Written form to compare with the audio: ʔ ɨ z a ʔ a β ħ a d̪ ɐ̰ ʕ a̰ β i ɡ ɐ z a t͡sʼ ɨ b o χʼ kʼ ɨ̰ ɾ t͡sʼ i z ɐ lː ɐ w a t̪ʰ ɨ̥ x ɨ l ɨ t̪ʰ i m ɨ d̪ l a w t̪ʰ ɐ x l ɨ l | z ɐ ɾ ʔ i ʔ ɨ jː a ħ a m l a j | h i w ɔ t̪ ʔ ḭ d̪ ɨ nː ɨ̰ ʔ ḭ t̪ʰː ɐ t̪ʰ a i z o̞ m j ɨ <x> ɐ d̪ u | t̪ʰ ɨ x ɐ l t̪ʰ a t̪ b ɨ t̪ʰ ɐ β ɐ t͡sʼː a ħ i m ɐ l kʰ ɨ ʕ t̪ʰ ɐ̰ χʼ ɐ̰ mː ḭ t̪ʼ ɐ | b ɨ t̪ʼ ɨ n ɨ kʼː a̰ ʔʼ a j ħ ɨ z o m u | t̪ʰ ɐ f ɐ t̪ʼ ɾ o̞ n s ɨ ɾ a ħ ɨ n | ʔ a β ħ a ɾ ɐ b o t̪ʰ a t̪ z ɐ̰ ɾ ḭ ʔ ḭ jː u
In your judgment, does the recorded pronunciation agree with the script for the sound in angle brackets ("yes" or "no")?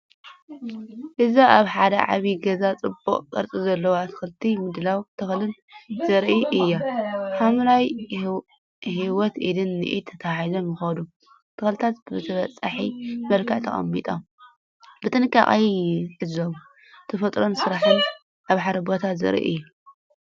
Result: yes